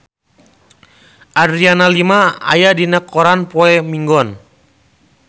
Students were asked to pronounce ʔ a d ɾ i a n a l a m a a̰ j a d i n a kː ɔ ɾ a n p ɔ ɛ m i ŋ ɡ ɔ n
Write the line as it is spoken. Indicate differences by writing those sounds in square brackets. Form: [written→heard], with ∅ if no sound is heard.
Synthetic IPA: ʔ a d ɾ i a n a l [a→i] m a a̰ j a d i n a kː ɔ ɾ a n p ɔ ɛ m i ŋ ɡ ɔ n